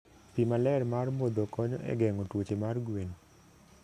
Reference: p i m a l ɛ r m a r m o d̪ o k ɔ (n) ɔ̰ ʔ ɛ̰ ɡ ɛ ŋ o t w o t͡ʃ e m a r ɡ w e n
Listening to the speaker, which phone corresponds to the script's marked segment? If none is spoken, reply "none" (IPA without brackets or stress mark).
ɲ